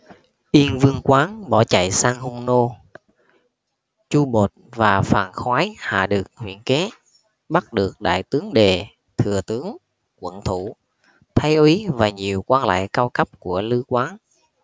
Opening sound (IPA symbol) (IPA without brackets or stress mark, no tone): ʔ